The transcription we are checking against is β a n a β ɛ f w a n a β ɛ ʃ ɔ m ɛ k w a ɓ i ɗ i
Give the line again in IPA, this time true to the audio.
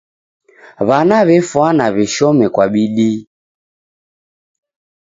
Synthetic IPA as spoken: β a n a β ɛ f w a n a β ɛ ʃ ɔ m ɛ k w a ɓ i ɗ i